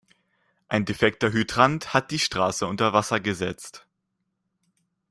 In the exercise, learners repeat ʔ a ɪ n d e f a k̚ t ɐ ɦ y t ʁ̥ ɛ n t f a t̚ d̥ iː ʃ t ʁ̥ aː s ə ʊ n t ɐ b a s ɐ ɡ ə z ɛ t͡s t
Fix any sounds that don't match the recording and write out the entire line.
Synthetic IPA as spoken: ʔ a ɪ n d e f ɛ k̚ t ɐ ɦ y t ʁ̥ a n t h a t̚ d̥ iː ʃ t ʁ̥ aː s ə ʊ n t ɐ v a s ɐ ɡ ə z ɛ t͡s t